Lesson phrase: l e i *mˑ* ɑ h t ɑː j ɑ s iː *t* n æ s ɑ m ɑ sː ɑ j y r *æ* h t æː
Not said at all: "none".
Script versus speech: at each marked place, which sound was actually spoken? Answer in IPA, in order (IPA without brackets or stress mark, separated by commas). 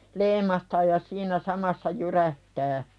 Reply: mˑ, none, æ